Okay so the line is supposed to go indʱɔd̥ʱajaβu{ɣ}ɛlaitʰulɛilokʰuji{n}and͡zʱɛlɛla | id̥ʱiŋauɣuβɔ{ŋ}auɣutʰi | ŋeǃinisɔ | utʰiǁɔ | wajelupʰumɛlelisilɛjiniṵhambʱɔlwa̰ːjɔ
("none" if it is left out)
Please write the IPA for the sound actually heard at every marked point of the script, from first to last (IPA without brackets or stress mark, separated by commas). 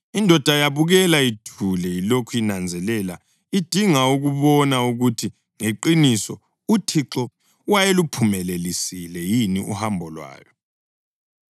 ɣ, n, n